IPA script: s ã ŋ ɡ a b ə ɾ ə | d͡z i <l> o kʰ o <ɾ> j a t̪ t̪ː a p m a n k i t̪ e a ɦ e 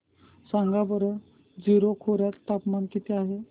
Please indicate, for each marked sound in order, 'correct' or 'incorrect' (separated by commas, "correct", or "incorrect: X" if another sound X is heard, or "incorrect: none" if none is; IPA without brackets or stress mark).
incorrect: ɾ, correct